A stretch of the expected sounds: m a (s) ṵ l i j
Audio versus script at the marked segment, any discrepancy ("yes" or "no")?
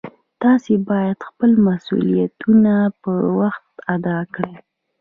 no